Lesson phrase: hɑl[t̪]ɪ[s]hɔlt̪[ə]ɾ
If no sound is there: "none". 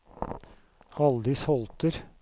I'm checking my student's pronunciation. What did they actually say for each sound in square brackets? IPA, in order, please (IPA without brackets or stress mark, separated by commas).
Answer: d̪, s, ə